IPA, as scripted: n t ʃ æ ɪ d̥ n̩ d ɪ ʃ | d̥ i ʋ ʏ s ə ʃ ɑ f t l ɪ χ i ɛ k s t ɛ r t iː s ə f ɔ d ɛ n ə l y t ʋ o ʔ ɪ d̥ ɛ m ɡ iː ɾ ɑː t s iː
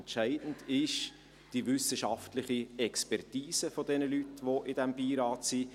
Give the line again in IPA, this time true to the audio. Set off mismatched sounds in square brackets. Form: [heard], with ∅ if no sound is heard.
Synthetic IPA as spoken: n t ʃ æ ɪ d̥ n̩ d ɪ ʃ | d̥ i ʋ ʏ s ə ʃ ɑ f t l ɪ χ i ɛ k s [p] ɛ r t iː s ə f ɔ d ɛ n ə l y t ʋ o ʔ ɪ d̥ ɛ m [b] iː ɾ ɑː t s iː